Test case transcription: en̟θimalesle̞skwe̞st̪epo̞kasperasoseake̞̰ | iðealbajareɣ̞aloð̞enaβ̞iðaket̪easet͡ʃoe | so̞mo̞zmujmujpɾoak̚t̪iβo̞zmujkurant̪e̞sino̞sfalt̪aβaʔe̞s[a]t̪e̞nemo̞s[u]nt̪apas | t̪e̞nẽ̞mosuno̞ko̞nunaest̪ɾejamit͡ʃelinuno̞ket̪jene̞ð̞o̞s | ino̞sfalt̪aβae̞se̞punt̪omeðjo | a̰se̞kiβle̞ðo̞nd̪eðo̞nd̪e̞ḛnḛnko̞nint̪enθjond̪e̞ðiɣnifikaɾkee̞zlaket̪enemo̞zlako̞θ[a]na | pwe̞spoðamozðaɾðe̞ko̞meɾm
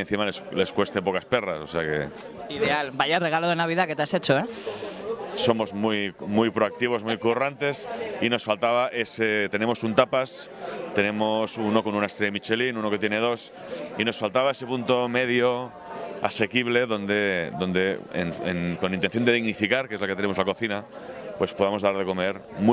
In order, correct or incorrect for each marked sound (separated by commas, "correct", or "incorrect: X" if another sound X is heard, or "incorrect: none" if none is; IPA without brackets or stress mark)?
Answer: incorrect: e, correct, incorrect: i